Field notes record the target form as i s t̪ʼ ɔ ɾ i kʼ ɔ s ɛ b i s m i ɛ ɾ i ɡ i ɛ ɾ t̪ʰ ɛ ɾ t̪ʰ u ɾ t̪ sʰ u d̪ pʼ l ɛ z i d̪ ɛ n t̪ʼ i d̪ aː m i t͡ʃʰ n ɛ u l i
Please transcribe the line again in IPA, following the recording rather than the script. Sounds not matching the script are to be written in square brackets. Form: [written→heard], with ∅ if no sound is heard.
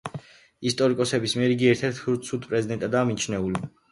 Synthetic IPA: i s t̪ʼ ɔ ɾ i kʼ ɔ s ɛ b i s m i ɛ ɾ i ɡ i ɛ ɾ t̪ʰ ɛ ɾ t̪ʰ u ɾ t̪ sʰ u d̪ pʼ [l→ɾ] ɛ z i d̪ ɛ n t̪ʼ [i→a] d̪ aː m i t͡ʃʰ n ɛ u l i